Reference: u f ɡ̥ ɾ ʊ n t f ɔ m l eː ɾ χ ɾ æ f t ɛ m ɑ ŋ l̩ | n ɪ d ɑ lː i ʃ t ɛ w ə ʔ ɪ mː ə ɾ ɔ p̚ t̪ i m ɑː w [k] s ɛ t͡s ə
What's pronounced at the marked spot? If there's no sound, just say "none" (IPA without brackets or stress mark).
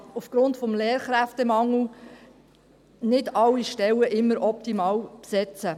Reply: p